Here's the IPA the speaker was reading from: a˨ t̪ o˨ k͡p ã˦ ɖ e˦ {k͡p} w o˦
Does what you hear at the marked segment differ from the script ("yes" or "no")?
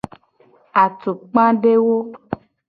yes